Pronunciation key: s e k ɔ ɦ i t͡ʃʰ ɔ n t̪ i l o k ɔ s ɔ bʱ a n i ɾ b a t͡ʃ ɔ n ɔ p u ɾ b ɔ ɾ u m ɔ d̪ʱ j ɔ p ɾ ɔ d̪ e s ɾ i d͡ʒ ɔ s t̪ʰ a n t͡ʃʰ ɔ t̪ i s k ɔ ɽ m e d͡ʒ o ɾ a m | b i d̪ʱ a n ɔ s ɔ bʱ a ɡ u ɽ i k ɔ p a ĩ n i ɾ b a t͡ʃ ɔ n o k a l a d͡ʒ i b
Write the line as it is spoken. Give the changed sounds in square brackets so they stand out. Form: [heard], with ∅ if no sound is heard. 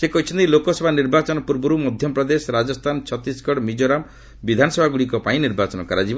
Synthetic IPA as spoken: s e k ɔ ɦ i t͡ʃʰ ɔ n t̪ i l o k ɔ s ɔ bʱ a n i ɾ b a t͡ʃ ɔ n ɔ p u ɾ b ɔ ɾ u m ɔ d̪ʱ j ɔ p ɾ ɔ d̪ e s ɾ [a] d͡ʒ ɔ s t̪ʰ a n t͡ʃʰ ɔ t̪ i s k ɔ ɽ m [i] d͡ʒ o ɾ a m | b i d̪ʱ a n ɔ s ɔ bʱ a ɡ u ɽ i k ɔ p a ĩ n i ɾ b a t͡ʃ ɔ n [ɔ] k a [ɾ] a d͡ʒ i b